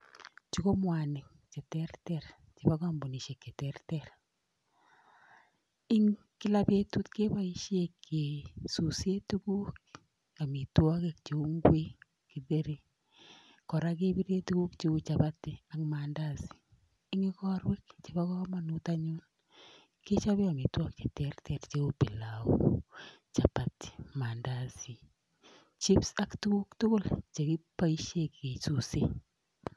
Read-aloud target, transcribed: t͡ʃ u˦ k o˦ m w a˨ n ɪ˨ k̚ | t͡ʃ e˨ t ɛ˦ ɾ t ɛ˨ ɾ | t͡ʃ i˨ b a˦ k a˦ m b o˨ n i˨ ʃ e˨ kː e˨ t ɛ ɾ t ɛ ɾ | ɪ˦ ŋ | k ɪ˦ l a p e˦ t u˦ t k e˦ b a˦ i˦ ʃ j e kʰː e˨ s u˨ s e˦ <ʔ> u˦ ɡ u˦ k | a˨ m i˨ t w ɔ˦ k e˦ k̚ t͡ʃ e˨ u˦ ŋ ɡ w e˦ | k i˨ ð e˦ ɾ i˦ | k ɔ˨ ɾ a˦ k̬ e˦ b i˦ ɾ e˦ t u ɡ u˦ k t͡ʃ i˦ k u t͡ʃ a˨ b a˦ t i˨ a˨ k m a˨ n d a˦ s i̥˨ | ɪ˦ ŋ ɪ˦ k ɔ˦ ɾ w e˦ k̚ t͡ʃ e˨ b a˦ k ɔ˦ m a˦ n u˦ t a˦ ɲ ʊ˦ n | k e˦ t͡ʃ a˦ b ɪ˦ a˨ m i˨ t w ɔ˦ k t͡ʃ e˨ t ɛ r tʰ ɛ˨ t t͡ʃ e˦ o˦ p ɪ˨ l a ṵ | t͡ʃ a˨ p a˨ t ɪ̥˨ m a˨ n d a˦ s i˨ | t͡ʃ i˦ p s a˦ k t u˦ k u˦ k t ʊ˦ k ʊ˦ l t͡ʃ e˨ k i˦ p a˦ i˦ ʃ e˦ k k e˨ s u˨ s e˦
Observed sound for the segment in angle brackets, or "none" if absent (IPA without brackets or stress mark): t